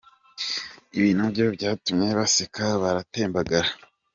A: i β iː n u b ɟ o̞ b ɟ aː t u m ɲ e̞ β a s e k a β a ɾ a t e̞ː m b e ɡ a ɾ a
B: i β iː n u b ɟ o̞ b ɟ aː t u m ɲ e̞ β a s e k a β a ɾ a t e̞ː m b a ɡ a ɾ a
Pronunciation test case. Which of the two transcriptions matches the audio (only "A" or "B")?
B